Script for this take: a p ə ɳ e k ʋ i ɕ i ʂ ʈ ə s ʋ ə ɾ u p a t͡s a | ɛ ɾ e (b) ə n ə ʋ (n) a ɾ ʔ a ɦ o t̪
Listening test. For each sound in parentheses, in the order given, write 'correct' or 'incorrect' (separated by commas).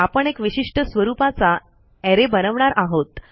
correct, incorrect